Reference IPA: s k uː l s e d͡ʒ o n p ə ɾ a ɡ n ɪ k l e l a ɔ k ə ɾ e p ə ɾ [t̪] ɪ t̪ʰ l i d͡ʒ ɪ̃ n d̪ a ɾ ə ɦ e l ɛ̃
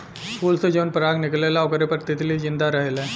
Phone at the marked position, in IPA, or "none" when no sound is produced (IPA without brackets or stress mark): t̪